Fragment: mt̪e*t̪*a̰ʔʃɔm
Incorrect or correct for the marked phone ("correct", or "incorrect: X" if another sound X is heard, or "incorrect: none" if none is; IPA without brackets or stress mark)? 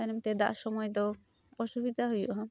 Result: incorrect: d̪